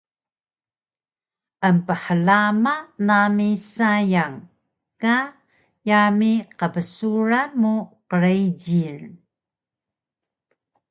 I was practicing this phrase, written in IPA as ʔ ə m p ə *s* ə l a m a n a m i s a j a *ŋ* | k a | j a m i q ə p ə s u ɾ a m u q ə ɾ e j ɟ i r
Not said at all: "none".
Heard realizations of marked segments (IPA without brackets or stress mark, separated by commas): ħ, ŋ